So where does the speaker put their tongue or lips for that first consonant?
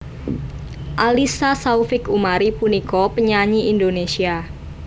throat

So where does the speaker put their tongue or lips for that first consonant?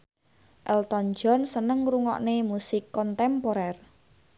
throat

